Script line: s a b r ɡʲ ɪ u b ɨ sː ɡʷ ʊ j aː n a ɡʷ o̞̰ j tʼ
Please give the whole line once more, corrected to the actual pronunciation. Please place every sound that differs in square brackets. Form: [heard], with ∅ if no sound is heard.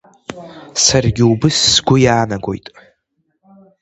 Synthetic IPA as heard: s a [∅] r ɡʲ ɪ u b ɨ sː ɡʷ ʊ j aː n a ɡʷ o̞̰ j tʼ